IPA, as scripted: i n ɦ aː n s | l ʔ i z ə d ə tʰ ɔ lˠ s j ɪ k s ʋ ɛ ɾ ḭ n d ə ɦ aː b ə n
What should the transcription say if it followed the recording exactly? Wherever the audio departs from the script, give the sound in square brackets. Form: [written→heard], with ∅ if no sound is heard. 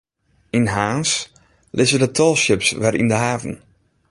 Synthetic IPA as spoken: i n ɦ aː n s | l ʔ [i→ɪ] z ə d ə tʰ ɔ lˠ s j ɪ [k→p] s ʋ ɛ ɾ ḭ n d ə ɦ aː [b→v] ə n